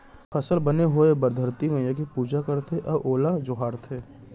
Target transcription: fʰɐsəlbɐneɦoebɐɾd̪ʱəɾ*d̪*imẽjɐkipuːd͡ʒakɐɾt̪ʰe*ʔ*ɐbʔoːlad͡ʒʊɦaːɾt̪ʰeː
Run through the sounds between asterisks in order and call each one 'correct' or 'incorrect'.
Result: incorrect: t̪, correct

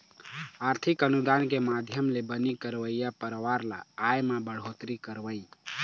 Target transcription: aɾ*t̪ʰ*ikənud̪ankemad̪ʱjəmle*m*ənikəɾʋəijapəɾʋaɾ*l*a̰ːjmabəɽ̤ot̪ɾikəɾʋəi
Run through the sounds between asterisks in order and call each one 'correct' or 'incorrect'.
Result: correct, incorrect: b, correct

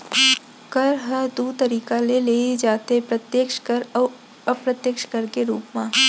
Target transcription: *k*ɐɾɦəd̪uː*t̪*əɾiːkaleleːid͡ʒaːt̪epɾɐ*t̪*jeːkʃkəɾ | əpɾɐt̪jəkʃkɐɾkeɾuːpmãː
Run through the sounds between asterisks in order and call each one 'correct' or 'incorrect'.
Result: correct, correct, correct

